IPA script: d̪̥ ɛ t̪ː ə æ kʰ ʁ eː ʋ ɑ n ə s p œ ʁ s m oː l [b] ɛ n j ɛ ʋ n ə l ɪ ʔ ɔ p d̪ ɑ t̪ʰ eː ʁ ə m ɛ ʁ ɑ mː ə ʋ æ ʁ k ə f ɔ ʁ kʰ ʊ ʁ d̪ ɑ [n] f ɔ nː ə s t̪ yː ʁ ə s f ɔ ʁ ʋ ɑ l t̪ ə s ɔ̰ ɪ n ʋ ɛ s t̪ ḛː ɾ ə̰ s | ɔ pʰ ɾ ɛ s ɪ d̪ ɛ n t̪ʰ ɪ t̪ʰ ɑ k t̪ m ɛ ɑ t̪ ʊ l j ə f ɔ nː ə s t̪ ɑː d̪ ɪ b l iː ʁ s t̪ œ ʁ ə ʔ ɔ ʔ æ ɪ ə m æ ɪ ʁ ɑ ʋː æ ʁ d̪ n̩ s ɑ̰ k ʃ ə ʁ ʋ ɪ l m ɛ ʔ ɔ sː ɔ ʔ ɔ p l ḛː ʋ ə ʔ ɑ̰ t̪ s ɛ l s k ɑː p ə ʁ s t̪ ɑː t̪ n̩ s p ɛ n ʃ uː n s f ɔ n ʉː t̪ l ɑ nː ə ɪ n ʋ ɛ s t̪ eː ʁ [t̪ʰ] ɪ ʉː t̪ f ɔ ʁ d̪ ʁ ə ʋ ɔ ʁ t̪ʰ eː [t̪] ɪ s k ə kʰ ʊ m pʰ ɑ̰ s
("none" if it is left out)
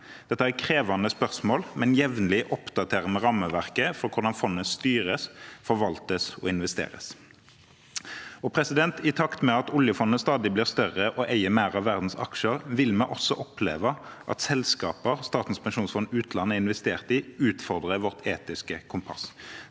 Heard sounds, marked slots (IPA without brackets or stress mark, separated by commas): m, n, t̪, t̪